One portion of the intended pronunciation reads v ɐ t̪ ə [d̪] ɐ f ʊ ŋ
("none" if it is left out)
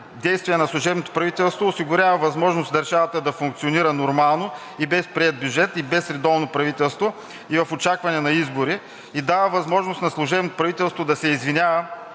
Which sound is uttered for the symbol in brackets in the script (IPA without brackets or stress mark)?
d̪